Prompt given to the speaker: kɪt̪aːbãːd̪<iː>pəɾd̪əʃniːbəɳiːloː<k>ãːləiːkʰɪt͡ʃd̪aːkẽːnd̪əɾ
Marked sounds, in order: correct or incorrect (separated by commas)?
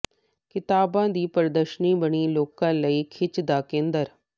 correct, correct